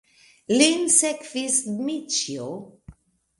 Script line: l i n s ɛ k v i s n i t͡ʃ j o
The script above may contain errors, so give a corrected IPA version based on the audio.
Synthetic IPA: l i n s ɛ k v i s m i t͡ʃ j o